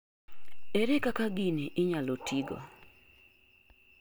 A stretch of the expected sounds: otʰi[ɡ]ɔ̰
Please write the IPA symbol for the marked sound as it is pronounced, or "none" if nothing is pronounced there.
ɡ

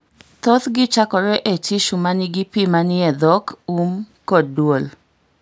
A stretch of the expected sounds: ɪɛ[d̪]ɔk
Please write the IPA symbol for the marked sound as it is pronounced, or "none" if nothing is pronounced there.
d̪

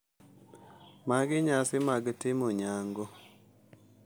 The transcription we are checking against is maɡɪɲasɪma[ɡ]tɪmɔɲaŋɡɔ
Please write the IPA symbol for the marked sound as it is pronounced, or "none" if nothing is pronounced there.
ɡ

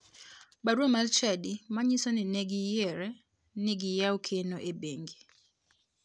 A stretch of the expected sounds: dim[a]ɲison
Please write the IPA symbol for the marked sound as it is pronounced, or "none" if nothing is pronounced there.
a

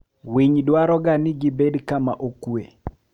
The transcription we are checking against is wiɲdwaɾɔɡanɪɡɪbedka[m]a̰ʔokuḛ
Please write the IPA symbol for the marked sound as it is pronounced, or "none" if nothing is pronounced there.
m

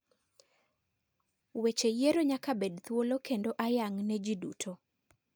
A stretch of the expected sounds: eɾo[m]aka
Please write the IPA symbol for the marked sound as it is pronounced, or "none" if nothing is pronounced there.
ɲ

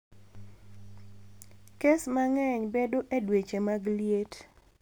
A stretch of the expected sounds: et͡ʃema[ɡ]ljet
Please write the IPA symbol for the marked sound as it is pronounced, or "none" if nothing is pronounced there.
ɡ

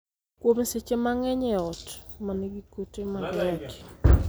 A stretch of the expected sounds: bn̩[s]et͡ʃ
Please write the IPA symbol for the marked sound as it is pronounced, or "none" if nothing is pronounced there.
s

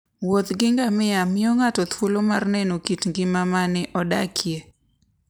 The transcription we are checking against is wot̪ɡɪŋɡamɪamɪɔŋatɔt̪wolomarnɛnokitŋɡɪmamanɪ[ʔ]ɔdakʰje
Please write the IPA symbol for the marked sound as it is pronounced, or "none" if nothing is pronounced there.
ʔ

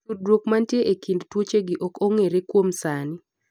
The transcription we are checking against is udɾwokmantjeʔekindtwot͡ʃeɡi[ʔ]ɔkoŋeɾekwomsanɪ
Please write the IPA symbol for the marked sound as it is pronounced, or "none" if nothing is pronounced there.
ʔ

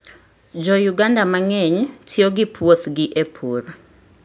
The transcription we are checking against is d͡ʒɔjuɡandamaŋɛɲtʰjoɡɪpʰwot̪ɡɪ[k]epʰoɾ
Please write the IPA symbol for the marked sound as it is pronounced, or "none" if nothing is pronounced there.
ʔ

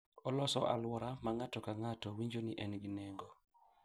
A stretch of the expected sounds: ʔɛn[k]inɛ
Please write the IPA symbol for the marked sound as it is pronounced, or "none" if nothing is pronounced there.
ɡ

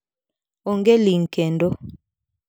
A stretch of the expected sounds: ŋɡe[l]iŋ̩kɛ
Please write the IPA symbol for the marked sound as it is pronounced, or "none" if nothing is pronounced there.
l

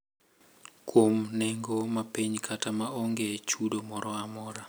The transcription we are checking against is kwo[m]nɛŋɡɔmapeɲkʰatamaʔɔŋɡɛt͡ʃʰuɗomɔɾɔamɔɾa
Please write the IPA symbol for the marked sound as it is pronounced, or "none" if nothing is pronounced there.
m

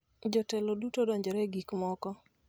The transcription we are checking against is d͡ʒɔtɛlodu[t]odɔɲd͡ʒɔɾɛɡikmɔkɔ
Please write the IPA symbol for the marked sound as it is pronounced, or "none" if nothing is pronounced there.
t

